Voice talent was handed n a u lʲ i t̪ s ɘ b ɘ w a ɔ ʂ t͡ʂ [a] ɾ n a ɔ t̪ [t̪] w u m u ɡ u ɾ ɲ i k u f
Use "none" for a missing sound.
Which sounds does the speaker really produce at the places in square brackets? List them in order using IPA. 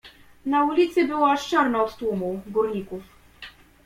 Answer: a, t̪

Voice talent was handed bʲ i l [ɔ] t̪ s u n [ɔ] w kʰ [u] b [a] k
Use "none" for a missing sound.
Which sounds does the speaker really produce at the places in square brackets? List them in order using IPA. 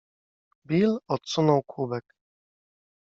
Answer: ɔ, ɔ, u, ɛ

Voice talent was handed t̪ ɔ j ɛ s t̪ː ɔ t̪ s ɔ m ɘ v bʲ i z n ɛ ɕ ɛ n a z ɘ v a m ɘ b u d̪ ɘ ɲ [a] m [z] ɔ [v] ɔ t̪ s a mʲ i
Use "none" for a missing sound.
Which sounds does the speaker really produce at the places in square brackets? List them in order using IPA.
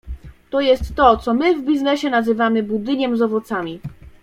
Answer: ɛ, z, v

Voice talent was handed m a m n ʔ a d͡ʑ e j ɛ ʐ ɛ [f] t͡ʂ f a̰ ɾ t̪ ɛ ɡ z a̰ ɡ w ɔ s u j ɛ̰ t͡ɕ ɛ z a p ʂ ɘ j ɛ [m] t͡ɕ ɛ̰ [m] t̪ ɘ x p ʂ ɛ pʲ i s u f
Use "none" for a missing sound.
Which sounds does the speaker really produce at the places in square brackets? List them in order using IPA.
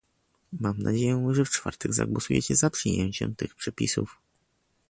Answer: f, ɲ, m

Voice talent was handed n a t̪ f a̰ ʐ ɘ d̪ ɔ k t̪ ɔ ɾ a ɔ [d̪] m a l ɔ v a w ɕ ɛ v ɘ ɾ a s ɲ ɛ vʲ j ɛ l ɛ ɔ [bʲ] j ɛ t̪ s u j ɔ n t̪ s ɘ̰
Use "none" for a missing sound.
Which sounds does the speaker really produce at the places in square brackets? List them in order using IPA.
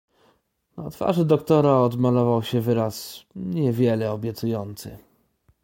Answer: d̪, bʲ

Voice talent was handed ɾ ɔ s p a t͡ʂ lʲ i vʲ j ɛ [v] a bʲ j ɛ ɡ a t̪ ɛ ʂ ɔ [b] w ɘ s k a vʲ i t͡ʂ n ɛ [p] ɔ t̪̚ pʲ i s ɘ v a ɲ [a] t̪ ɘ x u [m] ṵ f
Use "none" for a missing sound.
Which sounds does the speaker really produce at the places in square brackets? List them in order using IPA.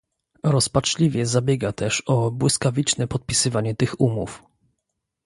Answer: z, b, p, ɛ, m

